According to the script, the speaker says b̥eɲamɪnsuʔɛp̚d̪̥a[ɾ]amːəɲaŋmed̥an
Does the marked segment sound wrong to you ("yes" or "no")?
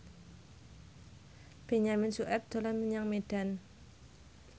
yes